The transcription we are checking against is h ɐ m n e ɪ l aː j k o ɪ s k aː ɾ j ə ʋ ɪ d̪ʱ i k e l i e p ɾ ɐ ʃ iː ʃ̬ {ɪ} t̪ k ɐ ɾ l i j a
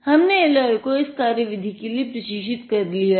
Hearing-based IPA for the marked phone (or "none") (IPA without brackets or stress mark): ɪ